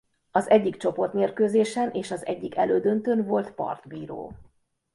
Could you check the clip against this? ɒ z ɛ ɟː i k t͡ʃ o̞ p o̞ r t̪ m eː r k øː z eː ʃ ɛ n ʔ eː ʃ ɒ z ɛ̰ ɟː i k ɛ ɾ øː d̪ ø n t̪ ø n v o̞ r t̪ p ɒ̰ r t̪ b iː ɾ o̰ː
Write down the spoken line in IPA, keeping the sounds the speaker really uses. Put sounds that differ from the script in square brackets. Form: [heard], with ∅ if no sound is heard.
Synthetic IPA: ɒ z ɛ ɟː i k t͡ʃ o̞ p o̞ r t̪ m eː r k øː z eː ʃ ɛ n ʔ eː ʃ ɒ z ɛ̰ ɟː i k ɛ [l] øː d̪ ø n t̪ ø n v o̞ [l] t̪ p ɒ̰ r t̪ b iː ɾ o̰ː